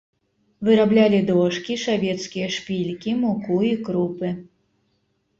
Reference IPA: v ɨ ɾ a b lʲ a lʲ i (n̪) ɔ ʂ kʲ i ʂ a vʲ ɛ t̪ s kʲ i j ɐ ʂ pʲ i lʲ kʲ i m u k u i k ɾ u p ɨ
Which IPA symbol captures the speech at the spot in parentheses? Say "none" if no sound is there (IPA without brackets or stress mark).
d̪